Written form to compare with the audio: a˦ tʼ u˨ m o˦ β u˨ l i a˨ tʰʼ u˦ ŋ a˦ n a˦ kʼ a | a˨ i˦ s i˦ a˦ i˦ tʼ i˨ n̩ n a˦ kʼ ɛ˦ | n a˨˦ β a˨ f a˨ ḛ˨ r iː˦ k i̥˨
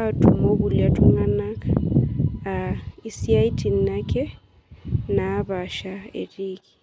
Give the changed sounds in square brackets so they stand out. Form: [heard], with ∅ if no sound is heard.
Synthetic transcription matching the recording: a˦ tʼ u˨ m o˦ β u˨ l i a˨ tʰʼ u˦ ŋ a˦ n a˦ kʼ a | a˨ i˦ s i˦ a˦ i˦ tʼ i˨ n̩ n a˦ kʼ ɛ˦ | n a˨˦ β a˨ [ʃ] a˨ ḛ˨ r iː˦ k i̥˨